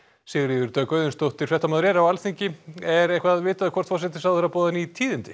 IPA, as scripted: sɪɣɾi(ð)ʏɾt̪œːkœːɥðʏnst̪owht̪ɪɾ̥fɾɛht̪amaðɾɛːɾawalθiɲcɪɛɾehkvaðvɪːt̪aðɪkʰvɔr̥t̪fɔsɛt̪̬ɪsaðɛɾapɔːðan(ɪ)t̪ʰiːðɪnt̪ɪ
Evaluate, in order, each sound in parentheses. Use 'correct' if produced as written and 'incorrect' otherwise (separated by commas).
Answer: correct, incorrect